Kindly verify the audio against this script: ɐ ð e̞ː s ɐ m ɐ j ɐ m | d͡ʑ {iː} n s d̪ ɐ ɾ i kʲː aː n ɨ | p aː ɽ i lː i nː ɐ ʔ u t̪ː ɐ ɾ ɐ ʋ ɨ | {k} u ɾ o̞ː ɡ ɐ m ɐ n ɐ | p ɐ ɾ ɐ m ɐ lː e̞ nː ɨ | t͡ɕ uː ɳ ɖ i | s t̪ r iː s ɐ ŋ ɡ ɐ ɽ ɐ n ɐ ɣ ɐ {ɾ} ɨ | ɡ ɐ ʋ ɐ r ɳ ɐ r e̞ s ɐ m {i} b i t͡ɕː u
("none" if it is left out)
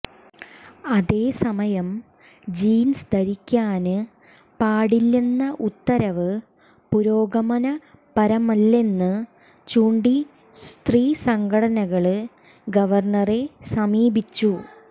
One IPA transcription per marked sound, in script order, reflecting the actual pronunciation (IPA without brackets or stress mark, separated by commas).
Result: iː, p, ɭ, iː